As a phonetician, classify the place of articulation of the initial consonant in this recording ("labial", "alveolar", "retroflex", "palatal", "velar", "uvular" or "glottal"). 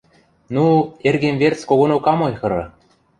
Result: alveolar